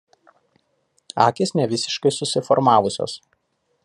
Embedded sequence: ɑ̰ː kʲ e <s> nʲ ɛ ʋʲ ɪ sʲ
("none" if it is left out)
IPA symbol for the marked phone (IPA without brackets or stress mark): s